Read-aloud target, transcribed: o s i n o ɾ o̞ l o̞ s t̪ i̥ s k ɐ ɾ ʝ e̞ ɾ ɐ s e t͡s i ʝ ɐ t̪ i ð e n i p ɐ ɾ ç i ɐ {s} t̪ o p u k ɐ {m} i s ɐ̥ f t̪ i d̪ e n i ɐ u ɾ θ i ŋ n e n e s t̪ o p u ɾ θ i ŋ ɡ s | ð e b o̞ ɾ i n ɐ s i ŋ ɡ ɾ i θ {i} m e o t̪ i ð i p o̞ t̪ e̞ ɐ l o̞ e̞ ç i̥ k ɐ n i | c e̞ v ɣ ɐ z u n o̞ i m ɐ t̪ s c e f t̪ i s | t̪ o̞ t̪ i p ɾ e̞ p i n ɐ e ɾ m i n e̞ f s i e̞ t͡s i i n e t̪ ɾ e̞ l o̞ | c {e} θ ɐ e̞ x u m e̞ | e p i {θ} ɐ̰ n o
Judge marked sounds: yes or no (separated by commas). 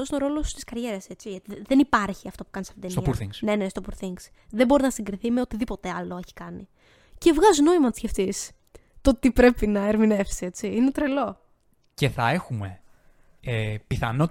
no, no, yes, yes, yes